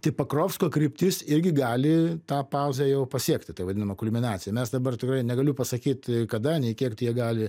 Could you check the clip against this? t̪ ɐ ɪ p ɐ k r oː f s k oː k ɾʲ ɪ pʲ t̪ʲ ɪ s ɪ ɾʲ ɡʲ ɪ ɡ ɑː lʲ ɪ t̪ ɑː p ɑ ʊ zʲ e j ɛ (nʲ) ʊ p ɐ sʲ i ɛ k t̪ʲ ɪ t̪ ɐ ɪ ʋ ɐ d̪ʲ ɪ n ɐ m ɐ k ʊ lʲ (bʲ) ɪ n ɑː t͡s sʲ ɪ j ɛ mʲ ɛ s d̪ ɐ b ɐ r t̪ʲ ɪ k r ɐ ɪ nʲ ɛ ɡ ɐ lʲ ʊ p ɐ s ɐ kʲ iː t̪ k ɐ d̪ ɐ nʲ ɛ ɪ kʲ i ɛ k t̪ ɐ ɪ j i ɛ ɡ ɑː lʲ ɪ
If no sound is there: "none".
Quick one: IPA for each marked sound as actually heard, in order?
none, mʲ

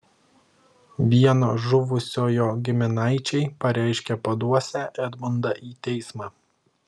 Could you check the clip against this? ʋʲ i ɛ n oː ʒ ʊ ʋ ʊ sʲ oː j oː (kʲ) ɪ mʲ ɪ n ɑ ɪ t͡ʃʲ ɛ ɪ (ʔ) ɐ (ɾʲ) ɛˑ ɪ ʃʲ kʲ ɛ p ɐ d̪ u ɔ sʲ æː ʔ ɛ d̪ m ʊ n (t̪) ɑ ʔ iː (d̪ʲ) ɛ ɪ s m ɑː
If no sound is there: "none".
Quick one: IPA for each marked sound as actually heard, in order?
ɡʲ, p, ɾʲ, d̪, t̪ʲ

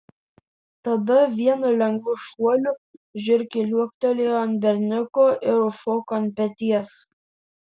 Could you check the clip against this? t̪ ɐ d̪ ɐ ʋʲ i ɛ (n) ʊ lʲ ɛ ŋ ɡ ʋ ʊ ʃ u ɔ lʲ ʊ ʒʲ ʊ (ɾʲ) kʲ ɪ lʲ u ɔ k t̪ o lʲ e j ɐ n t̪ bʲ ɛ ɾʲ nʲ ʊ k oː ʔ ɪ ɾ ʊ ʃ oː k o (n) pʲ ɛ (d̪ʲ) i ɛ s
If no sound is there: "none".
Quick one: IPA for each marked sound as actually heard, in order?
n, ɾʲ, n, t̪ʲ

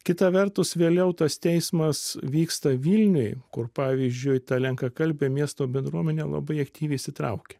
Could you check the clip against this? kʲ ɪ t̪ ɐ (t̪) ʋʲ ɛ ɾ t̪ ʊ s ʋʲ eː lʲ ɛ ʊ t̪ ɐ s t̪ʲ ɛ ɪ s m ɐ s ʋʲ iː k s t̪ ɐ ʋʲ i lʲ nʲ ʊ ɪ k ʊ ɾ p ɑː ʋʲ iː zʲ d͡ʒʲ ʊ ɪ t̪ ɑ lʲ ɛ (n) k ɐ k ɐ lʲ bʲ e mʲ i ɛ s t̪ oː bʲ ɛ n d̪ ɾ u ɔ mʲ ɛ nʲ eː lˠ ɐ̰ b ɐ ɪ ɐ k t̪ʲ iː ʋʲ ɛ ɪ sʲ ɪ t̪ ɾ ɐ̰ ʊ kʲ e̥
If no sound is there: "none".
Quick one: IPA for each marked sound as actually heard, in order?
none, ŋ

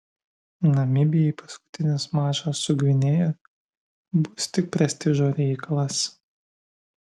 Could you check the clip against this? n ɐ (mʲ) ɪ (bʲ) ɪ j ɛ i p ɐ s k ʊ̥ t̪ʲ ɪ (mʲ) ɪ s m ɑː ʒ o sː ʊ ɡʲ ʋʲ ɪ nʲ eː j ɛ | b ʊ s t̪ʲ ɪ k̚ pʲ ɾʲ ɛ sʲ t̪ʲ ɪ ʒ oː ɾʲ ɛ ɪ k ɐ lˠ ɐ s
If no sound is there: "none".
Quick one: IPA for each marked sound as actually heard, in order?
mʲ, bʲ, nʲ

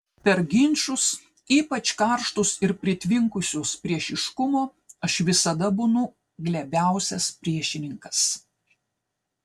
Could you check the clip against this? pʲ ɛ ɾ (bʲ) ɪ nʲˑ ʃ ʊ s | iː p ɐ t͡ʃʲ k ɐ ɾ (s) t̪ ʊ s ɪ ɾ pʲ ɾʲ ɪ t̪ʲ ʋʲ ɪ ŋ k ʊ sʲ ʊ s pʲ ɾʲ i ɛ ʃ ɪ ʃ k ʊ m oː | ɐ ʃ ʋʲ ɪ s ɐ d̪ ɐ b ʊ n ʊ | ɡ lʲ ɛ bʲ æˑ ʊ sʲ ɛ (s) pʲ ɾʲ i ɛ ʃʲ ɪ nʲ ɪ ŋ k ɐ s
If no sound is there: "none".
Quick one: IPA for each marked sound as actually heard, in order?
ɡʲ, ʃ, s

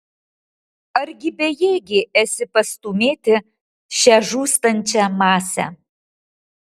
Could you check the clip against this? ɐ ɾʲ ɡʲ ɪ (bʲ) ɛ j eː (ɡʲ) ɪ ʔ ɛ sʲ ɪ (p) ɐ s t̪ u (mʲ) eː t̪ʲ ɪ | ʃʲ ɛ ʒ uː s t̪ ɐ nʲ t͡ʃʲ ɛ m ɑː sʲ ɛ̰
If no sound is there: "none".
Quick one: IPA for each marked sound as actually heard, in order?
bʲ, ɡʲ, p, mʲ

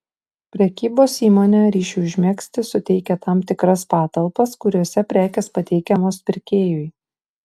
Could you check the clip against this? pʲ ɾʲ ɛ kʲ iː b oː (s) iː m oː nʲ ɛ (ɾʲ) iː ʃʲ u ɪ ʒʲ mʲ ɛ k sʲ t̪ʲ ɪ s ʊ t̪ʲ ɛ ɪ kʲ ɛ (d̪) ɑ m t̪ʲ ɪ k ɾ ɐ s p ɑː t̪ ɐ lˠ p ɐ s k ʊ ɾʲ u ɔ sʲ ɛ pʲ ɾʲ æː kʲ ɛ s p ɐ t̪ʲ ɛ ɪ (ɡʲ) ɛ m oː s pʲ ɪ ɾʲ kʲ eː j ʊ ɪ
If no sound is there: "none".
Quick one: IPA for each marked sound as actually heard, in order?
s, ɾʲ, t̪, kʲ

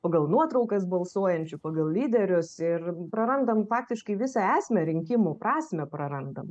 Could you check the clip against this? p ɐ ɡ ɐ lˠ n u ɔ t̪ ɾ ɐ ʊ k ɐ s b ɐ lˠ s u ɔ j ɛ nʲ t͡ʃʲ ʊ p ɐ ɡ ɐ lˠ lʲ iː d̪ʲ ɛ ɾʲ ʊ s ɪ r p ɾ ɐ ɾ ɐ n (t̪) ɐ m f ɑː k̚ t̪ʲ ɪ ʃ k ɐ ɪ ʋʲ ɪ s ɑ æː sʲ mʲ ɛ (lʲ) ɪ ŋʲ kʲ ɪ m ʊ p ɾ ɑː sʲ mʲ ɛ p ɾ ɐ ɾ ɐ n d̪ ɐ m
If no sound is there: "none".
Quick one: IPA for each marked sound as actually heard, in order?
d̪, ɾʲ

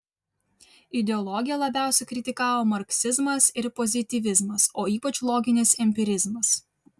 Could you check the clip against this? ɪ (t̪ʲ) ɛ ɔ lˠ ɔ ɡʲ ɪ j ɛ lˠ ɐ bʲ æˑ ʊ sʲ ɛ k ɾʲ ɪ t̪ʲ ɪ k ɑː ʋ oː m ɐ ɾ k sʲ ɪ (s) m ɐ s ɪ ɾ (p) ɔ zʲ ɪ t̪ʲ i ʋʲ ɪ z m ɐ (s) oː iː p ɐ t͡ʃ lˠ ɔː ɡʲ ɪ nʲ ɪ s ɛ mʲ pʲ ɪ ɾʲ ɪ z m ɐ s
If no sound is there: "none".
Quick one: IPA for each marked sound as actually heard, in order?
d̪ʲ, z, p, s

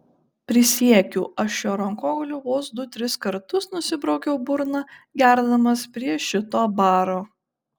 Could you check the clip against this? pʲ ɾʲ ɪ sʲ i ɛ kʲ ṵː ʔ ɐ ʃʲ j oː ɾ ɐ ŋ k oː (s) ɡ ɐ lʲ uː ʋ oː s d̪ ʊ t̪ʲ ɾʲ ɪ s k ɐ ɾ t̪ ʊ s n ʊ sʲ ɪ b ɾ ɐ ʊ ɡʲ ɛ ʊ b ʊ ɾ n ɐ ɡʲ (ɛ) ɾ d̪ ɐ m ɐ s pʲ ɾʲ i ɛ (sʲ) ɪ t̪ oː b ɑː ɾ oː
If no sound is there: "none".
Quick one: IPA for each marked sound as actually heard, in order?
none, æ, ʃʲ

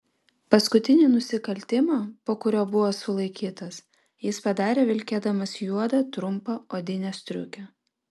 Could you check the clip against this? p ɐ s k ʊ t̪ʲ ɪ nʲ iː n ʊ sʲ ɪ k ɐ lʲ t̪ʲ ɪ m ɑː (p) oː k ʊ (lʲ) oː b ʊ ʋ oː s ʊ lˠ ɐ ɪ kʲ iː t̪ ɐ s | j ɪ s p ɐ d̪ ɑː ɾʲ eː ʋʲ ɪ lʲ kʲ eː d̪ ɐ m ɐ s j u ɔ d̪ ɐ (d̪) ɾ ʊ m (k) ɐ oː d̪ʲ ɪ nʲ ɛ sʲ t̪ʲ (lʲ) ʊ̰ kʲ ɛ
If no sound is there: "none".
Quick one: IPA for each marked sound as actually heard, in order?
p, ɾʲ, t̪, p, ɾʲ

